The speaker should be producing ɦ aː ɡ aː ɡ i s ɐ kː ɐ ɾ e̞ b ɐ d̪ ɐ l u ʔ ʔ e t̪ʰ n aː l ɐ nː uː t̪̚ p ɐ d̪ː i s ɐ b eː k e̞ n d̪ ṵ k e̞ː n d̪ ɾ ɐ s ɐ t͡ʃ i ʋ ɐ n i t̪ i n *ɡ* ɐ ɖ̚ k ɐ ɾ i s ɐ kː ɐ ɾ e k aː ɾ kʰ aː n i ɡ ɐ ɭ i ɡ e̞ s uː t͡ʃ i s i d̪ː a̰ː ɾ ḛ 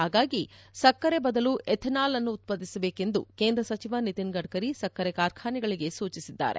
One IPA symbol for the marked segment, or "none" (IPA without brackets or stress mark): ɡ